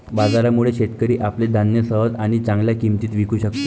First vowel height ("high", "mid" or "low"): low